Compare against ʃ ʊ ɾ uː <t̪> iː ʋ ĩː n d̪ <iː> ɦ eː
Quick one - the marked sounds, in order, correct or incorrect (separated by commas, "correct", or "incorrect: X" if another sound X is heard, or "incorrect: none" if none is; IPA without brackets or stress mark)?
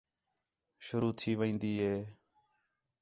incorrect: t̪ʰ, correct